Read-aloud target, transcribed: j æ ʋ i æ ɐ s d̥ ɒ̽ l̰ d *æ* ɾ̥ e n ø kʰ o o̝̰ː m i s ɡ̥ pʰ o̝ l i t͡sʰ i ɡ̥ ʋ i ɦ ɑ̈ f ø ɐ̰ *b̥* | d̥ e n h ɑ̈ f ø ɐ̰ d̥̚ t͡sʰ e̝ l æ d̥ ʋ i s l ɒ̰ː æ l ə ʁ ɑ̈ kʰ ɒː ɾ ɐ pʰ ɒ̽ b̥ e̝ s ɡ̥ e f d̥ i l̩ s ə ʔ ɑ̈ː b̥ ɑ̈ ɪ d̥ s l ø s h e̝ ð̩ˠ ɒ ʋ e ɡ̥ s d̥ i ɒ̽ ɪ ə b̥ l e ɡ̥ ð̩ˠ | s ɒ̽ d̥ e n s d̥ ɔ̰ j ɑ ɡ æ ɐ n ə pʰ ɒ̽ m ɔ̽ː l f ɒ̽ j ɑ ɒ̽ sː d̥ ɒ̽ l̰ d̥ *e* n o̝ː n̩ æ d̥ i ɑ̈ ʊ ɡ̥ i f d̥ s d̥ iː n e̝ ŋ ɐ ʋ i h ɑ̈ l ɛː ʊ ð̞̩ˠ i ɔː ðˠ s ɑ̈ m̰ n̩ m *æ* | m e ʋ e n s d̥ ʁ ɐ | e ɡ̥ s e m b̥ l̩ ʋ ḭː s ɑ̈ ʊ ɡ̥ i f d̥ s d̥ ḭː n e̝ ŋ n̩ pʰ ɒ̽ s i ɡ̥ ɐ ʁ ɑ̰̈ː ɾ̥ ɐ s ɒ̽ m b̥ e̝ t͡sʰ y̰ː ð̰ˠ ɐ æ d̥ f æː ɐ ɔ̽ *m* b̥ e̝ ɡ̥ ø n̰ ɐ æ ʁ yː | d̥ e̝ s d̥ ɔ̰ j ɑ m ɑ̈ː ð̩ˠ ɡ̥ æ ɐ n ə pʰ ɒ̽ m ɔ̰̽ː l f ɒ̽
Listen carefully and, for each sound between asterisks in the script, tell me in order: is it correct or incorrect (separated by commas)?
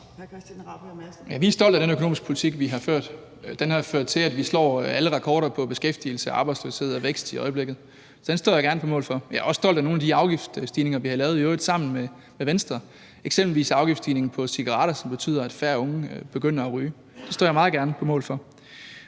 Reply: correct, incorrect, incorrect, incorrect, incorrect